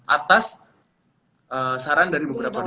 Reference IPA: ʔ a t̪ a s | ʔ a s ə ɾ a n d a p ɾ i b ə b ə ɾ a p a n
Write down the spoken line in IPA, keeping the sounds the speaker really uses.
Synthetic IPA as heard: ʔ a t̪ a s | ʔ ə s a ɾ a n d a ɾ i b ə b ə ɾ a p a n